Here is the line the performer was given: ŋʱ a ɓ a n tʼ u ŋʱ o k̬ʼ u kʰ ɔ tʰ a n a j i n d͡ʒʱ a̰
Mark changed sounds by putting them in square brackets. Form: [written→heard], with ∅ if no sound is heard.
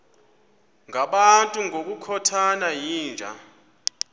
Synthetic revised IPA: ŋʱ a ɓ a n tʼ u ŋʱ o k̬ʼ u kʰ ɔ tʰ a n a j [i→iː] n d͡ʒʱ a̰